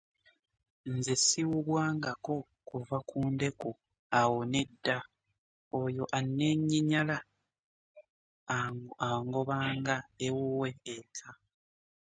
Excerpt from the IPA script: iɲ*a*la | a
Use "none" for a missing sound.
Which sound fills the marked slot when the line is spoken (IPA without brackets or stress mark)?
a